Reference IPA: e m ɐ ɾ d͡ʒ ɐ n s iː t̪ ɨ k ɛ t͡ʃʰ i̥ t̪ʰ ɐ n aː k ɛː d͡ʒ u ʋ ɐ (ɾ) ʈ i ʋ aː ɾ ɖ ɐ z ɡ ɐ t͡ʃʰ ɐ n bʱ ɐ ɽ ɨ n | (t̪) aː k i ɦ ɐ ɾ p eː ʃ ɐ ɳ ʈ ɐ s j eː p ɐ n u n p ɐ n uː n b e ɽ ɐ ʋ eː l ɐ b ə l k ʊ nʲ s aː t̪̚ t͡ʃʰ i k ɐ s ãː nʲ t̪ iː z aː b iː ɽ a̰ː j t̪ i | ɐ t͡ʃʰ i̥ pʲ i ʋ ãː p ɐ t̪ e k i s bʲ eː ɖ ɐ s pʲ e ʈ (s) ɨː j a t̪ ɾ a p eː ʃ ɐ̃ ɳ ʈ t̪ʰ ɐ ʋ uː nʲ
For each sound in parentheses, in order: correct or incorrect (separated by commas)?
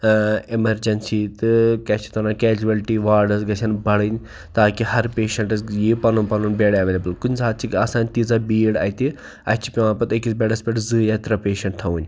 incorrect, correct, incorrect